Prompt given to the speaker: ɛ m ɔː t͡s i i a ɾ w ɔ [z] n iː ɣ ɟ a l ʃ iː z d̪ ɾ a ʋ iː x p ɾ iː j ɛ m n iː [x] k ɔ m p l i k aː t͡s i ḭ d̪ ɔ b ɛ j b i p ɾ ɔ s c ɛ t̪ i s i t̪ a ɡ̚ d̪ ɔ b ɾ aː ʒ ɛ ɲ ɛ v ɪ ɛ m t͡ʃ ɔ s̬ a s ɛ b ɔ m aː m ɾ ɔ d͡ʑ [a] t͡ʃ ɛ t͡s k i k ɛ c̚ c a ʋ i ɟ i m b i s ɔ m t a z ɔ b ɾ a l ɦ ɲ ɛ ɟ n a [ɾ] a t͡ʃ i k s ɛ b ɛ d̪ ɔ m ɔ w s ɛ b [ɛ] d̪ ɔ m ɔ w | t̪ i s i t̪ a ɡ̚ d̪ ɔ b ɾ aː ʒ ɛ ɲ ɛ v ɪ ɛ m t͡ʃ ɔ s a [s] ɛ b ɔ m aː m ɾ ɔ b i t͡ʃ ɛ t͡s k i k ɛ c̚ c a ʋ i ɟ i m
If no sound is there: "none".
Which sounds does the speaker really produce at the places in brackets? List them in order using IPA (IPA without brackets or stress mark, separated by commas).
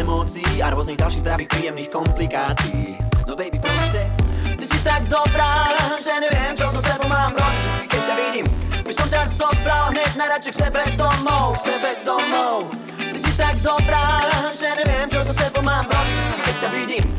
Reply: z, x, i, ɾ, ɛ, s